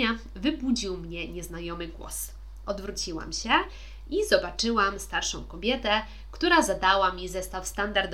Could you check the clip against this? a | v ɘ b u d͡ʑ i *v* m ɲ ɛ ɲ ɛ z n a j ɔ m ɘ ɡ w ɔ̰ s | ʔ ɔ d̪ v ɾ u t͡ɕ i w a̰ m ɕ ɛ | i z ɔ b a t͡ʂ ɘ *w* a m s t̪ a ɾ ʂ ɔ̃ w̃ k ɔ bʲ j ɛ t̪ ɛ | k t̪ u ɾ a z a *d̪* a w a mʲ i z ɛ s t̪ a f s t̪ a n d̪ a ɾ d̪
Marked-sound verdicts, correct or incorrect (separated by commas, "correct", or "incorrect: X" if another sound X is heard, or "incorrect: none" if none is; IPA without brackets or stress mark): incorrect: w, correct, correct